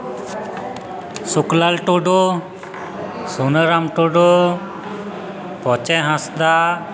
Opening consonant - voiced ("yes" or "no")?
no